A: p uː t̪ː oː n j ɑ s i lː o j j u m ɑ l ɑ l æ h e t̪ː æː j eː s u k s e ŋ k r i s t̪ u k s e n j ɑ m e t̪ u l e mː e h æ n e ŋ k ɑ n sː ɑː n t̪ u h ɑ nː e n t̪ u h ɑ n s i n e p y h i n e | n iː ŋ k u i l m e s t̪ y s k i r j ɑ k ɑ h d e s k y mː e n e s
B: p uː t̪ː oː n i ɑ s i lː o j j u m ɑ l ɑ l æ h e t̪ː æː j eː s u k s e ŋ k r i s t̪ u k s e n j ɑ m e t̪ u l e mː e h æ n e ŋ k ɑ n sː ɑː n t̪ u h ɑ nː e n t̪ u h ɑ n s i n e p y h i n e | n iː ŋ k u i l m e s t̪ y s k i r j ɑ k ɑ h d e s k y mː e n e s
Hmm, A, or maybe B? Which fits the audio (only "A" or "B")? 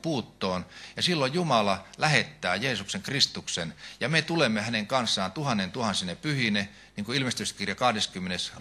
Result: A